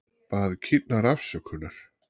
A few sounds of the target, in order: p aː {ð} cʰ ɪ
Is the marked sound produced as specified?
yes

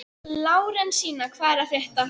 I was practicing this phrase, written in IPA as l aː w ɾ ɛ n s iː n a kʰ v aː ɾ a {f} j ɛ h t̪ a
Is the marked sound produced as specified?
yes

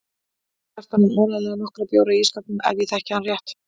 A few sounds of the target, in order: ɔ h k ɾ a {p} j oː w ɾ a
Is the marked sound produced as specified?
yes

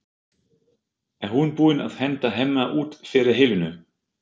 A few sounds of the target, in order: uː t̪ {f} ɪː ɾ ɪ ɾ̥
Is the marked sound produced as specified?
yes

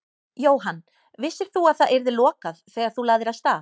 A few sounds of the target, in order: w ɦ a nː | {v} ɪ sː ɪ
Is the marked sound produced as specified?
yes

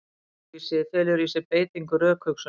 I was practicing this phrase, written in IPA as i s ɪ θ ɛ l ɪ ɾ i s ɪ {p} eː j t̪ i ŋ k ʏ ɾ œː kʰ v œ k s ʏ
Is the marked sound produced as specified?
yes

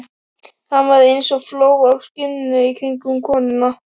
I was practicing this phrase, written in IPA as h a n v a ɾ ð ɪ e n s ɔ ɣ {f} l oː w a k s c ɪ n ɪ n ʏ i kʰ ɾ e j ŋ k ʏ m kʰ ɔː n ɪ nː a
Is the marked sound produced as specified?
yes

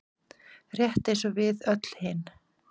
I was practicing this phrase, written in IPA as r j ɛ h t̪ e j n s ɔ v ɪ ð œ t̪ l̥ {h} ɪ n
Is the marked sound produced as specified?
yes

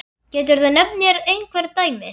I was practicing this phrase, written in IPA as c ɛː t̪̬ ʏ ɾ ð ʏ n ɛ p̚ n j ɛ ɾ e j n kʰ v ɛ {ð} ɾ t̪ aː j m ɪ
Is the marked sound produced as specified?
no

